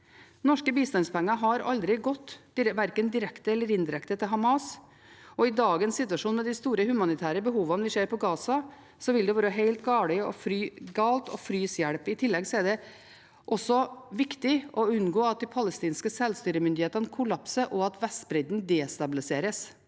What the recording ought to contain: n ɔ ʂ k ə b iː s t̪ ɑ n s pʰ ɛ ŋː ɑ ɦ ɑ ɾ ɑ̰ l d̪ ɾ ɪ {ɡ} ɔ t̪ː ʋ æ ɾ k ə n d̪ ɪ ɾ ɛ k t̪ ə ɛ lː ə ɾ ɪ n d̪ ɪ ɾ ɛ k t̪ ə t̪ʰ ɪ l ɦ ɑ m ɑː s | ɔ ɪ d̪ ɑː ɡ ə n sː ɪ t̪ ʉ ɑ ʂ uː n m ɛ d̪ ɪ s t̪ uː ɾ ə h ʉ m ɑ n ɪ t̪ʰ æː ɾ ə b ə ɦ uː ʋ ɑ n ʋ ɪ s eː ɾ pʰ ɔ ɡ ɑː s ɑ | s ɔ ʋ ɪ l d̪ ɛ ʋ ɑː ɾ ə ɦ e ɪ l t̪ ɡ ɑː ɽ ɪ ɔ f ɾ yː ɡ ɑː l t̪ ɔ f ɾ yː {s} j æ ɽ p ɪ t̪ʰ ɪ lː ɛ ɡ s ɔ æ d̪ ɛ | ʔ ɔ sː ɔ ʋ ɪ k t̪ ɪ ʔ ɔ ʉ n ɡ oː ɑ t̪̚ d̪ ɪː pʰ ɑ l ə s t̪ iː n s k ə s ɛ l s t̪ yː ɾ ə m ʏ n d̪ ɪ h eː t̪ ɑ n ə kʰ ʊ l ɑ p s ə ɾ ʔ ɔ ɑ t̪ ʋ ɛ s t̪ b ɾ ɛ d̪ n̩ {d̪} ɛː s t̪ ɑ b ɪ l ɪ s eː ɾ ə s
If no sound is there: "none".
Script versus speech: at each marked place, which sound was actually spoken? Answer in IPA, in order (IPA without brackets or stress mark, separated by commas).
ɡ, s, d̪